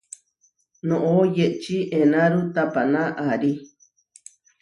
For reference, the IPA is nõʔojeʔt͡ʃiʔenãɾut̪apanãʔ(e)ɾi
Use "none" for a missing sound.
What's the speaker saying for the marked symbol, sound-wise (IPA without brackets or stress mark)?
a